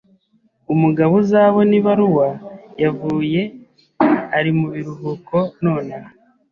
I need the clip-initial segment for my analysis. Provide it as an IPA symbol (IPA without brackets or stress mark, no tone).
u